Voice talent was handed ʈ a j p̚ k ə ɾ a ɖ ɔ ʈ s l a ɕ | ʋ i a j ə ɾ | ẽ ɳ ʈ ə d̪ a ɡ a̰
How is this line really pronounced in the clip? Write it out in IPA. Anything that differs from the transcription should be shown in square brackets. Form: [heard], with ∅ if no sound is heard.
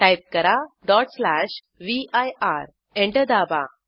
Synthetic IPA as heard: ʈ a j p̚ k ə ɾ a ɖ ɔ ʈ s l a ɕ | ʋ i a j [a] ɾ | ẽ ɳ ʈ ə d̪ a [b] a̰